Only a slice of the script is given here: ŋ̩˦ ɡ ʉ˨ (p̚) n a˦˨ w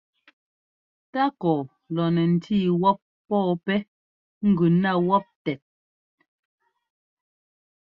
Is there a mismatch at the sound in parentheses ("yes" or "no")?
yes